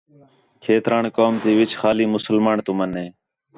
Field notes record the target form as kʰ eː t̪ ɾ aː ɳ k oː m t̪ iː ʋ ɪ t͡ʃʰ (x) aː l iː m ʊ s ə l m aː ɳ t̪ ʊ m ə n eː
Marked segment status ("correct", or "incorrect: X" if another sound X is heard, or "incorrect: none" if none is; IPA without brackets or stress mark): correct